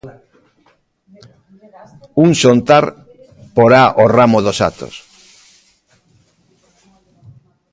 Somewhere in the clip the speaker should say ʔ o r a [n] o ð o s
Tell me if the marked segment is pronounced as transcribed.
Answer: no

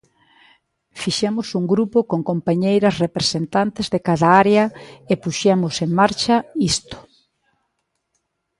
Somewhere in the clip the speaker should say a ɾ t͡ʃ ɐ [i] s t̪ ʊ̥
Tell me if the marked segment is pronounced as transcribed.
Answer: yes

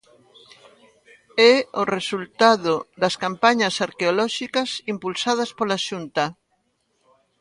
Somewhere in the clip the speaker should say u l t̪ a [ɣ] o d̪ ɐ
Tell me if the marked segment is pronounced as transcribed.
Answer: no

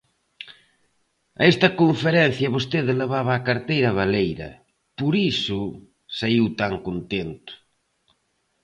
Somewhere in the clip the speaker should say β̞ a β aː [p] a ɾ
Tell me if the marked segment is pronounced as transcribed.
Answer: no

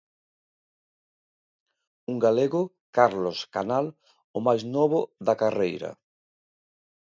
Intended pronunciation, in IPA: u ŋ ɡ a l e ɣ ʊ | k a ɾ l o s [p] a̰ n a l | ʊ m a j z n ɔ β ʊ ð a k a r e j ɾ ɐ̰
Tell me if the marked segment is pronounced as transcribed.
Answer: no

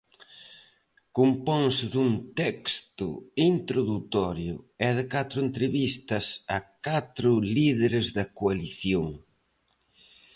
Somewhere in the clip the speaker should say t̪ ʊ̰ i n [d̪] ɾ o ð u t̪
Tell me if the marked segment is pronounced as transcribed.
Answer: no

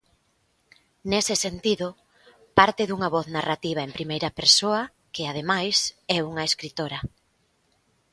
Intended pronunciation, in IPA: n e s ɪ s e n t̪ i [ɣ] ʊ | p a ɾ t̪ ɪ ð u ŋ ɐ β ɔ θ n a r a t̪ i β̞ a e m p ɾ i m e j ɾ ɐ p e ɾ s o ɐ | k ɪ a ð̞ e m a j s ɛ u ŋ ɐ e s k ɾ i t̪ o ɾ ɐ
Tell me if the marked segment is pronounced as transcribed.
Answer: no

